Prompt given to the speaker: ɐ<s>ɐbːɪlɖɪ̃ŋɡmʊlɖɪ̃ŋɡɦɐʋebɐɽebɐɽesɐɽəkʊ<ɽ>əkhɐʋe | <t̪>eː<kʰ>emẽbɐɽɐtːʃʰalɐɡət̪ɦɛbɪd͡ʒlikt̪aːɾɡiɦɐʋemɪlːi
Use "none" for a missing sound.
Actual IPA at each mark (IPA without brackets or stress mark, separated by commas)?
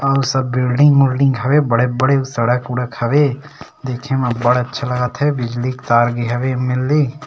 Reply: s, ɽ, d̪, kʰ